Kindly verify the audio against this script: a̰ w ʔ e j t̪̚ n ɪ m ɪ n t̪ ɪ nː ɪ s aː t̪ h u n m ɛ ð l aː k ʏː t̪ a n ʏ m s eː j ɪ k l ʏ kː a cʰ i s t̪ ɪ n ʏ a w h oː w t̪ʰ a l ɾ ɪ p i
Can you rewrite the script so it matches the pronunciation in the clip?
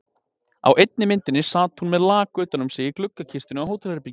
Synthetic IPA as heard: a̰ w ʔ e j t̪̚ n ɪ m ɪ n t̪ ɪ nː ɪ s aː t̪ h u n m ɛ ð l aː k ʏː t̪ a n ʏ m s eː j ɪ k l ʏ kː a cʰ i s t̪ ɪ n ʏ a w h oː w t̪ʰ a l ɾ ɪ p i

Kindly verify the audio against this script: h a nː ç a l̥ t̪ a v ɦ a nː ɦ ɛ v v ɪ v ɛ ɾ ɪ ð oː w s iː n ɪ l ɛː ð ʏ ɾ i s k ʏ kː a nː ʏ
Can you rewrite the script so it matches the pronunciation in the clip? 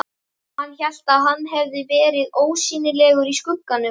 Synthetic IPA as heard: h a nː ç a l̥ t̪ a ð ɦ a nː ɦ ɛ v ð ɪ v ɛː ɾ ɪ ð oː w s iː n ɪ l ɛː ɣ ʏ ɾ i s k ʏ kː a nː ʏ

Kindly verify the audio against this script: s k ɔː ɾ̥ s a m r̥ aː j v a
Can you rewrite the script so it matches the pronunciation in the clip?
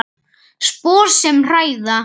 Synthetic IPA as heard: s p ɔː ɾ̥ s ɛ m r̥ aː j ð a

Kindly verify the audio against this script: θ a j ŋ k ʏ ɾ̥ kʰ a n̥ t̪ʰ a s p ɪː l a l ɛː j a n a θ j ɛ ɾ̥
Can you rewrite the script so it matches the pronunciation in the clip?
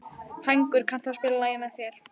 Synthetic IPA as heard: h a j ŋ k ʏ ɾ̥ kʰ a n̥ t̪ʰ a s p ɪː l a l aː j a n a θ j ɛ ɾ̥

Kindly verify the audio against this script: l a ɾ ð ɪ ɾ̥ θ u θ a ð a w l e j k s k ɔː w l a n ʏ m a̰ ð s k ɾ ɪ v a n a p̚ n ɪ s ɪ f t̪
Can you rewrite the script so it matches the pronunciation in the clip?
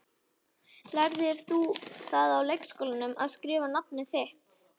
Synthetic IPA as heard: l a ɾ ð ɪ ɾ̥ θ u θ a ð a w l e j k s k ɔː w l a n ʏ m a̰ ð s k ɾ ɪː v a n a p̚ n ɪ θ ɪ h t̪

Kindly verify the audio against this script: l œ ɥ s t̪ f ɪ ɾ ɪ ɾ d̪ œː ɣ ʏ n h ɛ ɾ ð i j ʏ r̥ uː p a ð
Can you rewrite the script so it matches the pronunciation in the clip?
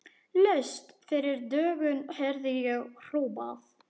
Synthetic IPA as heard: l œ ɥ s t̪ f ɪ ɾ ɪ ɾ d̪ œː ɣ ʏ n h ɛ ɾ ð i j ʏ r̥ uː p a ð

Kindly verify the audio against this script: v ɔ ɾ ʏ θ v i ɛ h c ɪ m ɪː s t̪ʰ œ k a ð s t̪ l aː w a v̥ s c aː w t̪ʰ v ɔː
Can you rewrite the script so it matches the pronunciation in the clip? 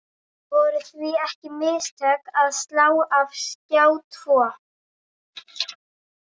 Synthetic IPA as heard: v ɔ ɾ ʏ θ v i ɛ h c ɪ m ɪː s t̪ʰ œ k a ð s t̪ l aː w a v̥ s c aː w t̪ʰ v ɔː

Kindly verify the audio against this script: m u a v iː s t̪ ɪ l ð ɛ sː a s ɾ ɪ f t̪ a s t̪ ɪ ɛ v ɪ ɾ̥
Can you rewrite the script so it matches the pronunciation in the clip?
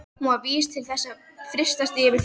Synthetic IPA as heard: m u a v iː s t̪ʰ ɪ l θ ɛ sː a f ɾ ɪ s t̪ a s t̪ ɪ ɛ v ɪ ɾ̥

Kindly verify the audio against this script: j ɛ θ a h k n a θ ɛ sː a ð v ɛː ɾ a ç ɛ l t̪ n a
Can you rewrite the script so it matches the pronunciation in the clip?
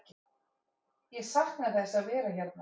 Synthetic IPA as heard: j ɛ s a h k n a θ ɛ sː a ð v ɛː ɾ a ç ɛ ɾ t̪ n a

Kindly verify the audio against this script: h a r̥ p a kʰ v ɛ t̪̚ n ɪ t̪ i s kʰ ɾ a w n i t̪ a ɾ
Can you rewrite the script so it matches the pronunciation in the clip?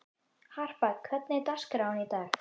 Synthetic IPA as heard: h a r̥ p a kʰ v ɛ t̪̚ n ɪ t̪ a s k ɾ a w n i t̪ a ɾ

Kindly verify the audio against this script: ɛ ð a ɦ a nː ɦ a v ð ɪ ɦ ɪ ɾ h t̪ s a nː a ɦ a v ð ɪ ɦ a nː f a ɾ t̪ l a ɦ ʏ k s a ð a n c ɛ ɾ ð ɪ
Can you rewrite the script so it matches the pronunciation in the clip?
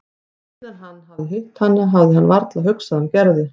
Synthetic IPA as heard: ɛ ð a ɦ a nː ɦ a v ð ɪ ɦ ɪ h t̪ h a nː a ɦ a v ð ɪ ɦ a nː v a ɾ t̪ l a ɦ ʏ k s a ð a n c ɛ ɾ ð ɪ

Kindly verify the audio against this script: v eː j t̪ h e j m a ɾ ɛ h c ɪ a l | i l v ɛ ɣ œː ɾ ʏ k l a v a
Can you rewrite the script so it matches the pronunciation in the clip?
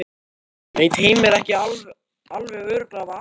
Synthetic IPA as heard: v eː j t̪ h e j m ɛ ɾ ɛ h c ɪ a l | a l v ɛ ɣ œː ɾ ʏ k l a v a

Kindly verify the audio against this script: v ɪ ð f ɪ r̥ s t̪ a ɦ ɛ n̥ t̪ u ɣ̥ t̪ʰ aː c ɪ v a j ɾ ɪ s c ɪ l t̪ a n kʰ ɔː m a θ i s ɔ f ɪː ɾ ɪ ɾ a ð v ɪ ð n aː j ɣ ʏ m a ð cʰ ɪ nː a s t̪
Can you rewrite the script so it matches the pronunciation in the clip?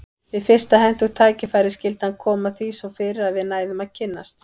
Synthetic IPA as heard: v ɪ ð f ɪ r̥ s t̪ a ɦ ɛ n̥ t̪ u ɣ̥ t̪ʰ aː c ɪ f a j ɾ ɪ s c ɪ l t̪ a n kʰ ɔː m a θ i s ɔ f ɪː ɾ ɪ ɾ a ð v ɪ ð n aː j ð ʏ m a ð cʰ ɪ nː a s t̪

